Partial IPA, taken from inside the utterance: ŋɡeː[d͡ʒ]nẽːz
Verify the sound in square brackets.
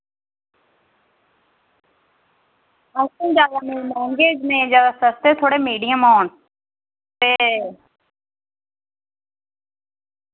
correct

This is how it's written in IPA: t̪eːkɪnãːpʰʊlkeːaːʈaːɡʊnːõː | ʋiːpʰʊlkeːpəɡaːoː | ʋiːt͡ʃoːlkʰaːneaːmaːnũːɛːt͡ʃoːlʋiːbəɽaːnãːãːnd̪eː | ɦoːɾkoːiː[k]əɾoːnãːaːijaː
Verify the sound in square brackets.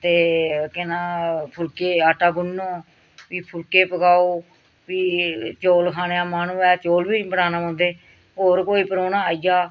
incorrect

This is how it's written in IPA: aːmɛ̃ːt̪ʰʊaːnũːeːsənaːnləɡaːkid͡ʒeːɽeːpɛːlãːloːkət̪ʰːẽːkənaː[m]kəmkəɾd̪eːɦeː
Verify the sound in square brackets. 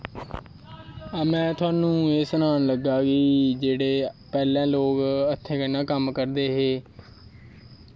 incorrect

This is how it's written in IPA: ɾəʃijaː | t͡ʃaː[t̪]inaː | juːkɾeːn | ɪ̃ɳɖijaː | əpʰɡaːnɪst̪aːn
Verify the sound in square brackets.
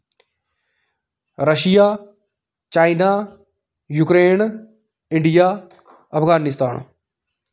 incorrect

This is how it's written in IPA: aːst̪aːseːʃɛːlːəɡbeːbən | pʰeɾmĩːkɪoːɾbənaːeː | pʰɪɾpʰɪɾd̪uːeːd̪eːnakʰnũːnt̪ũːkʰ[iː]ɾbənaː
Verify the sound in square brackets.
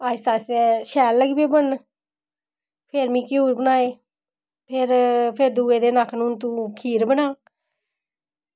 correct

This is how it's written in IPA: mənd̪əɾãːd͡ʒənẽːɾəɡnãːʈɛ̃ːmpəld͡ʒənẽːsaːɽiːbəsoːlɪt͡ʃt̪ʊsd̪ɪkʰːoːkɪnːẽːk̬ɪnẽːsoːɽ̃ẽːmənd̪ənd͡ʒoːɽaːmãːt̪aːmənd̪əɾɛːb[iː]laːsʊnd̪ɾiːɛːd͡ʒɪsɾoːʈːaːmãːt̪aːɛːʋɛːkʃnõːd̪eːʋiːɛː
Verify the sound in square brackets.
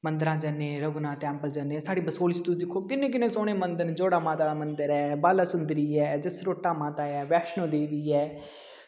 incorrect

